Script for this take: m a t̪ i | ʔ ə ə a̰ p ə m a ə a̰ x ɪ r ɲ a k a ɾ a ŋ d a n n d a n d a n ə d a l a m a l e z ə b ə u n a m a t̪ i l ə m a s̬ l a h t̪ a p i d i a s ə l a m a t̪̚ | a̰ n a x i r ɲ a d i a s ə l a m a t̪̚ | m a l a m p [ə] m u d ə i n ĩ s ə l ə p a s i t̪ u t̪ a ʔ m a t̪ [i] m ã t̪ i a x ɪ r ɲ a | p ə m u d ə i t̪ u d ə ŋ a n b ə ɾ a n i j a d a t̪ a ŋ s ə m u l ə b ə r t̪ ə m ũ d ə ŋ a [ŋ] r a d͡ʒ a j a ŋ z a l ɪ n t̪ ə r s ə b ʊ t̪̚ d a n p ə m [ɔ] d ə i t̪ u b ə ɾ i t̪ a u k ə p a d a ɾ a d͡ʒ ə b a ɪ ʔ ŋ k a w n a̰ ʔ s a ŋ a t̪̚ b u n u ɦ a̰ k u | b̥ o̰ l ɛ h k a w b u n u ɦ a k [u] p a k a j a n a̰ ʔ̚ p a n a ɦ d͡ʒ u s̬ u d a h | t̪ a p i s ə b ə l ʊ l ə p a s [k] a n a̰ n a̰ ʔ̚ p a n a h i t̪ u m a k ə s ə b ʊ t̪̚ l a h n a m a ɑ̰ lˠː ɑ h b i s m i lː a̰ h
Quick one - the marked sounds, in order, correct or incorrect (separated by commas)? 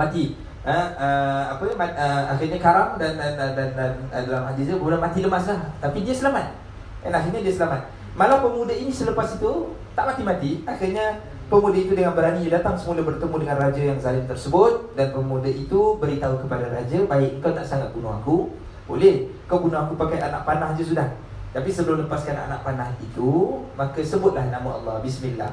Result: correct, correct, incorrect, incorrect, correct, correct